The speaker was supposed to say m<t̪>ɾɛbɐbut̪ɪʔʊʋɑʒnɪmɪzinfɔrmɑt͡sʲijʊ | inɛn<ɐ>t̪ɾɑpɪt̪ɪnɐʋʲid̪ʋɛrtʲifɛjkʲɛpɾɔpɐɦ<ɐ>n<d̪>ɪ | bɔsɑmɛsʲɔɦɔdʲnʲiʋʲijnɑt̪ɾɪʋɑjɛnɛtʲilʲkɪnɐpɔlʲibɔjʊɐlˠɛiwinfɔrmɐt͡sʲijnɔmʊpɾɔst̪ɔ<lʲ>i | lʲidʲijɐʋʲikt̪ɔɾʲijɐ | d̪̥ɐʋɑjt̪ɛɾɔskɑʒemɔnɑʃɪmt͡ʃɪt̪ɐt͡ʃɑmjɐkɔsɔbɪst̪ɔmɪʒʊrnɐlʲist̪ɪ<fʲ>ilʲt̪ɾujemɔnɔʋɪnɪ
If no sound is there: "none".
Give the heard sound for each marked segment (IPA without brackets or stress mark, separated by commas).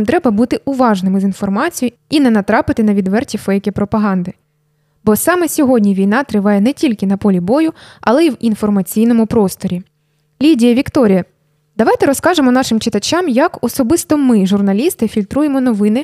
t̪, ɐ, ɑ, d̪, ɾʲ, fʲ